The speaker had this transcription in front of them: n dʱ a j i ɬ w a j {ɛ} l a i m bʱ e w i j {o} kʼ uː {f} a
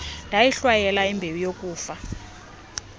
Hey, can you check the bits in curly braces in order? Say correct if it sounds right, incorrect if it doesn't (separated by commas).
correct, correct, correct